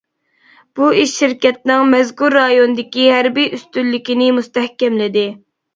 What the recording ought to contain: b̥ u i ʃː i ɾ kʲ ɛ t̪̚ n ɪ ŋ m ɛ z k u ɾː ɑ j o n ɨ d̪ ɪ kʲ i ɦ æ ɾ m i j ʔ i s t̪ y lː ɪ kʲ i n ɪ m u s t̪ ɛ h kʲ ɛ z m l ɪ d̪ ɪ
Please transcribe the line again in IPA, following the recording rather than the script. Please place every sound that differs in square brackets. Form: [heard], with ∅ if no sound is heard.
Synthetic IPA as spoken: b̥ u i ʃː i ɾ kʲ ɛ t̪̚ n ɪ ŋ m ɛ z k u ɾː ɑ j o n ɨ d̪ ɪ kʲ i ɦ æ ɾ [b] i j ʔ [y] s t̪ y lː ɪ kʲ i n ɪ m u s t̪ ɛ h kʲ ɛ [∅] m l ɪ d̪ ɪ